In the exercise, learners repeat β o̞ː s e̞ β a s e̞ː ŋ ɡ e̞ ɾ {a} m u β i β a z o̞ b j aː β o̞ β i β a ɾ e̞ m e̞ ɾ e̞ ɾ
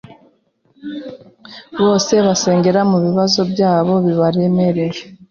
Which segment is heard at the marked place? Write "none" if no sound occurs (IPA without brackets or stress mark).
a